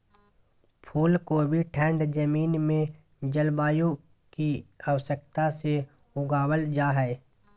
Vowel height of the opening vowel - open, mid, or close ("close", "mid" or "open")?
close